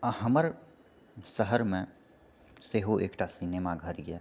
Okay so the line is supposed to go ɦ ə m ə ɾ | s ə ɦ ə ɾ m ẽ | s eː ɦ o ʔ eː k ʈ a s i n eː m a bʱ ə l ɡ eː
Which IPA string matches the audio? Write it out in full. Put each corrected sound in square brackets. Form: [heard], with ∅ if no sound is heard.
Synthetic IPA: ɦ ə m ə ɾ | s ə ɦ ə ɾ m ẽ | s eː ɦ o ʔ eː k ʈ a s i n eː m a [ɡʱ] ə [ɾ] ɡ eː